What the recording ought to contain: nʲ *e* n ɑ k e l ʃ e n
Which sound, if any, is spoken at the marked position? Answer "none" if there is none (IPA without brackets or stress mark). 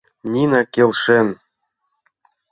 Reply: i